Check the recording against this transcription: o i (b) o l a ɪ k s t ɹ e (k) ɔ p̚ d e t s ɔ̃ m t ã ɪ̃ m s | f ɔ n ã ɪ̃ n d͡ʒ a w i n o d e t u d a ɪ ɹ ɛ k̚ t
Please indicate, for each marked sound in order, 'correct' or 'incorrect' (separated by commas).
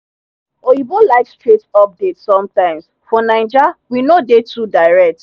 correct, incorrect